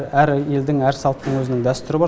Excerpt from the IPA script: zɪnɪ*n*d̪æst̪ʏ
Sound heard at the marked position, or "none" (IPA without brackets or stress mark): ŋ